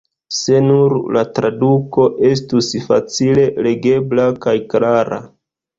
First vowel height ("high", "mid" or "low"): mid